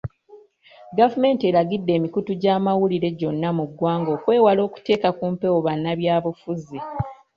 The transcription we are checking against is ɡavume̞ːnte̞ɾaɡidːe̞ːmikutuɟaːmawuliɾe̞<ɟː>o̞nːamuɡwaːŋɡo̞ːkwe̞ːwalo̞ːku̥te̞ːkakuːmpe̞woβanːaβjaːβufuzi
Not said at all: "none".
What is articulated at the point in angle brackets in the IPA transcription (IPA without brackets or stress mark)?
ɟ